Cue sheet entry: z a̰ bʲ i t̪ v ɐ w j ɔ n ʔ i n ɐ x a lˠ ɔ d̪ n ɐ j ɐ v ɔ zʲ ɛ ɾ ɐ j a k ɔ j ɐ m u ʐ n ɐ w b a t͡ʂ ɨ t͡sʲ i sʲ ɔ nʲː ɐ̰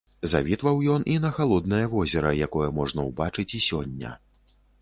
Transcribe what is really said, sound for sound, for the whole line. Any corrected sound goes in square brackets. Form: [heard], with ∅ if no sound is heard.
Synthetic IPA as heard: z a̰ [vʲ] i t̪ v ɐ w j ɔ n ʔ i n ɐ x a lˠ ɔ d̪ n ɐ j ɐ v ɔ zʲ ɛ ɾ ɐ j a k ɔ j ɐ m [ɔ] ʐ n ɐ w b a t͡ʂ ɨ t͡sʲ i sʲ ɔ nʲː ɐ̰